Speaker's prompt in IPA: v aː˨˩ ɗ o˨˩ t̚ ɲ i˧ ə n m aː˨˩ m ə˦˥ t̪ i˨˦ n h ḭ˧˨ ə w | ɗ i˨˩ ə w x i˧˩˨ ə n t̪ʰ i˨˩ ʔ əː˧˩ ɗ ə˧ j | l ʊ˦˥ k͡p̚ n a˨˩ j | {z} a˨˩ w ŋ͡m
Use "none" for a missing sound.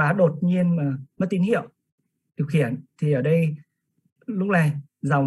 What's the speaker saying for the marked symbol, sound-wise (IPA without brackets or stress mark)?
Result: z